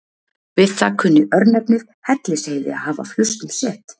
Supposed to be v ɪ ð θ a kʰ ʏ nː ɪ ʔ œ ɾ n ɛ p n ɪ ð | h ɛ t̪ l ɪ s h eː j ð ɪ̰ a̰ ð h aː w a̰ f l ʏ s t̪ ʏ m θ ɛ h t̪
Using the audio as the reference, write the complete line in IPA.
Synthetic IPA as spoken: v ɪ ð θ a kʰ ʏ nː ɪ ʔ œ ɾ n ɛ p n ɪ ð | h ɛ t̪ l ɪ s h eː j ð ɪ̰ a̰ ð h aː v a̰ f l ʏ s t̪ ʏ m s ɛ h t̪